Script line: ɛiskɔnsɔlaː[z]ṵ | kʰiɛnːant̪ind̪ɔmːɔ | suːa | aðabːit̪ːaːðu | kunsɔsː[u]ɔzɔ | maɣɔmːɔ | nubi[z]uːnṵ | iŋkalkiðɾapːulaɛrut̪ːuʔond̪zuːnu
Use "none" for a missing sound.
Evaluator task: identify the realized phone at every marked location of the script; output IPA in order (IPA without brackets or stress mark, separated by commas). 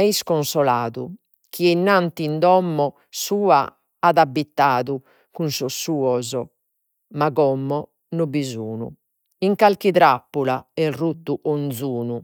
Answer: ð, uː, z